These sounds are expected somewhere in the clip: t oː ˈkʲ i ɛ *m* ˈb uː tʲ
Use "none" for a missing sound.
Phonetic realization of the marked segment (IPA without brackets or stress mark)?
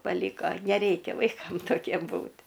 m